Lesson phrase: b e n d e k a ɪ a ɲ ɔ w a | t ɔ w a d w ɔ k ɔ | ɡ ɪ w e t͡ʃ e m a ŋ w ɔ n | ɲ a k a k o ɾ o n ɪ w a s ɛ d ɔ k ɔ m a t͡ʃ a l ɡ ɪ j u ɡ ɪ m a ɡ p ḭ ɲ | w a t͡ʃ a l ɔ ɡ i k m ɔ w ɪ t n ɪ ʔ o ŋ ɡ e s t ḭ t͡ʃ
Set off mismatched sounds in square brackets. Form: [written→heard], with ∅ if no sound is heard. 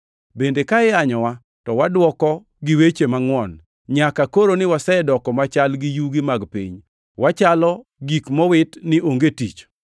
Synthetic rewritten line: b e n d e k a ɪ a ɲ ɔ w a | t ɔ w a d w ɔ k ɔ | ɡ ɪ w e t͡ʃ e m a ŋ w ɔ n | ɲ a k a k o ɾ o n ɪ w a s ɛ d ɔ k ɔ m a t͡ʃ a l ɡ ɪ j u ɡ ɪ m a ɡ p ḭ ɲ | w a t͡ʃ a l ɔ ɡ i k m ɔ w ɪ t n ɪ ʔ o ŋ ɡ e [s→∅] t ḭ t͡ʃ